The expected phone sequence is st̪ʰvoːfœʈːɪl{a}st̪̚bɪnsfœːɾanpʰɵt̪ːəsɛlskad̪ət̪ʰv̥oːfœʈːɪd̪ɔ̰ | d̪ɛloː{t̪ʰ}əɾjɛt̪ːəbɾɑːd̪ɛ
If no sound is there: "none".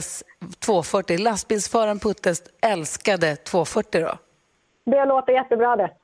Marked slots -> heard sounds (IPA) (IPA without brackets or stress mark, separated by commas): a, t̪